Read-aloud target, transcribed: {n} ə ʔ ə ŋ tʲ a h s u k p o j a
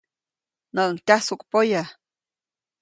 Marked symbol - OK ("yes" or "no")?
yes